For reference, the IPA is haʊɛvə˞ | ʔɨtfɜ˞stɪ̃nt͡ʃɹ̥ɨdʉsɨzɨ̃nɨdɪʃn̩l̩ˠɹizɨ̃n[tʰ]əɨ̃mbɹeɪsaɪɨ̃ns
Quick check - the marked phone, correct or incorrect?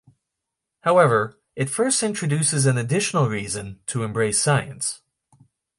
correct